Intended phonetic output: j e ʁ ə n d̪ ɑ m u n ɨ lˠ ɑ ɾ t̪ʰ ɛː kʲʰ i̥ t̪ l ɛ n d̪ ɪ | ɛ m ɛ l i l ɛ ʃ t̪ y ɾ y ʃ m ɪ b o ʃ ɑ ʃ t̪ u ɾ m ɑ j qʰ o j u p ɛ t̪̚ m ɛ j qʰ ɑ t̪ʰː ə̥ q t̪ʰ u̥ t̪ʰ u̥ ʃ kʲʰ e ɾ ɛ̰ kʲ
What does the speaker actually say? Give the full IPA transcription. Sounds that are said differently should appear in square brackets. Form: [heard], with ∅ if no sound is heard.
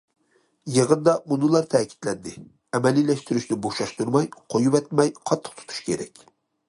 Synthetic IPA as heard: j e ʁ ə n d̪ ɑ m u n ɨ lˠ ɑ ɾ t̪ʰ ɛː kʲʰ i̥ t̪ l ɛ n d̪ ɪ | ɛ m ɛ l i l ɛ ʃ t̪ y ɾ y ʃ [n] ɪ b o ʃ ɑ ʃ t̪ u ɾ m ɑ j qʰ o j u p ɛ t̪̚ m ɛ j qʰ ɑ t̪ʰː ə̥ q t̪ʰ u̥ t̪ʰ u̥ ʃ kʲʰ e ɾ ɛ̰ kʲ